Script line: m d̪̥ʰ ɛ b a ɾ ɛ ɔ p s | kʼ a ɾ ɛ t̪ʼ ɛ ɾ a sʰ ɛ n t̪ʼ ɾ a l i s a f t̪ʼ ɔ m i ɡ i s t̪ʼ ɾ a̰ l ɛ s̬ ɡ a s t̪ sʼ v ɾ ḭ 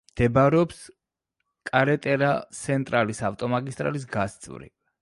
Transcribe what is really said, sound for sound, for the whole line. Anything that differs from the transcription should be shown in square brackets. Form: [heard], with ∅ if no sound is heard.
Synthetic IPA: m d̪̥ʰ ɛ b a ɾ ɛ ɔ p s | kʼ a ɾ ɛ t̪ʼ ɛ ɾ a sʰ ɛ n t̪ʼ ɾ a l i s a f t̪ʼ ɔ m [a] ɡ i s t̪ʼ ɾ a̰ l [i] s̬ ɡ a s t̪ sʼ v ɾ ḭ